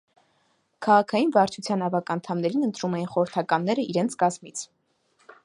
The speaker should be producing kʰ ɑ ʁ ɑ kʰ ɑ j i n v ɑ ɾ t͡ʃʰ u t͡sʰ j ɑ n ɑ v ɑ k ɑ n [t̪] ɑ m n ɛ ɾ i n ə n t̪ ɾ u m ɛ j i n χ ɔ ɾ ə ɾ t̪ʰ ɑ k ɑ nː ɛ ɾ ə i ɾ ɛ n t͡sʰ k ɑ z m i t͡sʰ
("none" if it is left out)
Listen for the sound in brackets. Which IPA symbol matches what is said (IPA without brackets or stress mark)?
t̪ʰ